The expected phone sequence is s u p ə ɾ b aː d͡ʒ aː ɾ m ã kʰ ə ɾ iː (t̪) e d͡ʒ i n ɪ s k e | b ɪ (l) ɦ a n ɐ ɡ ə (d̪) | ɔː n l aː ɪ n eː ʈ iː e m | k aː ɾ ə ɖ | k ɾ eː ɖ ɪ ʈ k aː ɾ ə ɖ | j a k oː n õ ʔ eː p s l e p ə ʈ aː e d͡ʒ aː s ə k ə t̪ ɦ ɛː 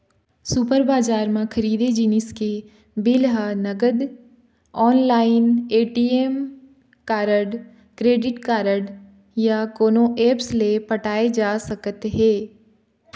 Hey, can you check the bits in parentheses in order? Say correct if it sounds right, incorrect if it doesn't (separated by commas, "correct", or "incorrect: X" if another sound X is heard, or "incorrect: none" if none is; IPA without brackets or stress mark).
incorrect: d̪, correct, correct